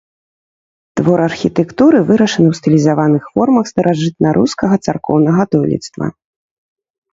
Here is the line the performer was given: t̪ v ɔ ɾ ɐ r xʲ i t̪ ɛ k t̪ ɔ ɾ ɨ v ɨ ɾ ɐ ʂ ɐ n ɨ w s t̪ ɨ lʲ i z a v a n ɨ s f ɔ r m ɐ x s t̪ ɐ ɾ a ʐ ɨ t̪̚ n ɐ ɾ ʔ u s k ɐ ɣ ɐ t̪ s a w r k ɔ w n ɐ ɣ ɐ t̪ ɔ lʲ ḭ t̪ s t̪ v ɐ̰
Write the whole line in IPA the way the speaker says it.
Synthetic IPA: t̪ v ɔ ɾ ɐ r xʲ i t̪ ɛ k t̪ u ɾ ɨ v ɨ ɾ ɐ ʂ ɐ n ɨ w s t̪ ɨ lʲ i z a v a n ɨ x f ɔ r m ɐ x s t̪ ɐ ɾ a ʐ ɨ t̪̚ n ɐ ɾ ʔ u s k ɐ ɣ ɐ t̪ s a r k ɔ w n ɐ ɣ ɐ t̪ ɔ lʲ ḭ t̪ s t̪ v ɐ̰